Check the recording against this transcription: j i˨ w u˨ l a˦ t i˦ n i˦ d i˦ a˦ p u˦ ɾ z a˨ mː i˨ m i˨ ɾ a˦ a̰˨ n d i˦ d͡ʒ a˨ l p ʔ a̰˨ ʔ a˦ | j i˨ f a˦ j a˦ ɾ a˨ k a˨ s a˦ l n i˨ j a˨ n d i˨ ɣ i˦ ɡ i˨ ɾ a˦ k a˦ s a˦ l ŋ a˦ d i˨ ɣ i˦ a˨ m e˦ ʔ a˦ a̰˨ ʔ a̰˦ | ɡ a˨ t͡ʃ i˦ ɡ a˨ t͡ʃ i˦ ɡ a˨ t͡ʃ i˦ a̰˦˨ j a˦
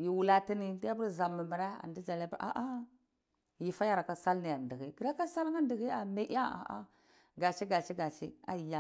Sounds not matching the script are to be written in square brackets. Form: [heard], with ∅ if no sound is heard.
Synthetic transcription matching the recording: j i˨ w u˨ l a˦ t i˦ n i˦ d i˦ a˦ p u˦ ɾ z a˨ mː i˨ m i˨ ɾ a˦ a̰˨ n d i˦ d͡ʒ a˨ l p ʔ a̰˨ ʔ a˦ | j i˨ f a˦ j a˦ ɾ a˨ k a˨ s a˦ l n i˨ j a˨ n d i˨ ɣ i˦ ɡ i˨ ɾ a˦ k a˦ s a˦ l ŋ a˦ d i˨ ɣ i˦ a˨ m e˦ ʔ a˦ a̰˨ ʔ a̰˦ | ɡ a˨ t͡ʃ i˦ ɡ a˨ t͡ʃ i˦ ɡ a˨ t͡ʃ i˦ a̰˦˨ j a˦